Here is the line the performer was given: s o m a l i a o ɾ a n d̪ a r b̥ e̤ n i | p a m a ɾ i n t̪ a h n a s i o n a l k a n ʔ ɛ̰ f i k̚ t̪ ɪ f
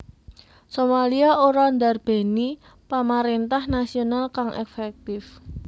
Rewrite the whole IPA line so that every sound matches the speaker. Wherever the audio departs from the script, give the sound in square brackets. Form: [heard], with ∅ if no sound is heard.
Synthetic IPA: s o m a l i a o ɾ a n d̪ a r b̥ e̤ n i | p a m a ɾ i n t̪ a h n a s i o n a l k a [ŋ] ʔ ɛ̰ f [ɛ] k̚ t̪ ɪ f